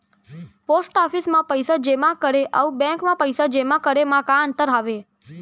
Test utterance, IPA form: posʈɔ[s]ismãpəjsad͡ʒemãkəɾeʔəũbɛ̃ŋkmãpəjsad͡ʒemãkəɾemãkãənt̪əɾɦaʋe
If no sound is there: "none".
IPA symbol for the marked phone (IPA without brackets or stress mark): f